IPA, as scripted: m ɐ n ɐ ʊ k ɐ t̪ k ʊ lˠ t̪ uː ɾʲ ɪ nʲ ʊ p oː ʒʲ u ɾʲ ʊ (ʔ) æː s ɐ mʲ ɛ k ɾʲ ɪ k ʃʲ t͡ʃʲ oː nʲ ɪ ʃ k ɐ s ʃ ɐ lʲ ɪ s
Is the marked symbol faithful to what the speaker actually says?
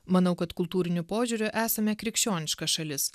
yes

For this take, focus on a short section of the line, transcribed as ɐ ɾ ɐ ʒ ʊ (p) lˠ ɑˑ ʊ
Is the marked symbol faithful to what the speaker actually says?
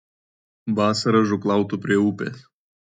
no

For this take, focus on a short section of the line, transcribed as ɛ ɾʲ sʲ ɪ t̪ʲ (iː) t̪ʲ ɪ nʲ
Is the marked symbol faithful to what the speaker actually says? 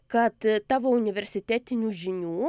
no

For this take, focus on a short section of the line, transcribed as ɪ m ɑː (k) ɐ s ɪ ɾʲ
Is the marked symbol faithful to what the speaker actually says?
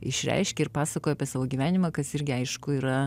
yes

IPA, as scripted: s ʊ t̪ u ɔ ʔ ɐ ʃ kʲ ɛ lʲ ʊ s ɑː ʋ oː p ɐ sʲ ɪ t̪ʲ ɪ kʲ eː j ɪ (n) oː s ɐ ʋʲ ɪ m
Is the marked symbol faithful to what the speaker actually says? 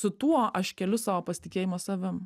no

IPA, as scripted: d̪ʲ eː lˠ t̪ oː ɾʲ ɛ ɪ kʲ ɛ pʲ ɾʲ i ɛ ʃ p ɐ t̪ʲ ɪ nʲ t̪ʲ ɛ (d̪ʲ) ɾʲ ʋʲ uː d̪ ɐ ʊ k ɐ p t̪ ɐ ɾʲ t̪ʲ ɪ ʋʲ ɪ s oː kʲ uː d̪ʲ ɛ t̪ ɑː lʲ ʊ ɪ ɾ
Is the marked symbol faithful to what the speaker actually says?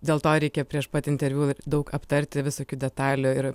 no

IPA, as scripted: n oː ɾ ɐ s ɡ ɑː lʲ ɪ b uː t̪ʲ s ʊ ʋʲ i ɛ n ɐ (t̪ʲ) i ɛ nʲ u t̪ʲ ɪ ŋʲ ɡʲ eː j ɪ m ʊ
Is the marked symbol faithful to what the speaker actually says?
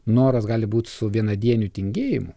no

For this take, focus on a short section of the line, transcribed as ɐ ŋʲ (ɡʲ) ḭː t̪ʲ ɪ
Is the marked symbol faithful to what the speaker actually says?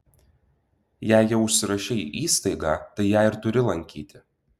no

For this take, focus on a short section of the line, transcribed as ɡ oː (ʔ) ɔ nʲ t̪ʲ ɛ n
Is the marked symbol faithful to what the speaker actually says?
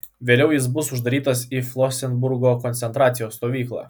no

